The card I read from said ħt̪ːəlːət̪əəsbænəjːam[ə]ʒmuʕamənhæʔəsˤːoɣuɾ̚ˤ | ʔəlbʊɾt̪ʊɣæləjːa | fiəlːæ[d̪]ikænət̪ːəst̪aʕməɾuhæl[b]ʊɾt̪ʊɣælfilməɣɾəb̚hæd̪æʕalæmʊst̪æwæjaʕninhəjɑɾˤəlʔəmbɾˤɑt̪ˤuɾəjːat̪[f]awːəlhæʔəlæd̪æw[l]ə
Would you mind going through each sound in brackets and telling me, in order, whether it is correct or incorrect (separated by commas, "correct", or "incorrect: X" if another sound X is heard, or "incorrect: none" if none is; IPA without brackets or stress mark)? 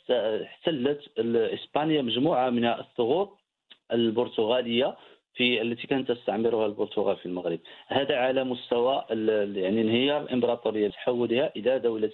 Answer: correct, incorrect: t̪, correct, incorrect: ħ, correct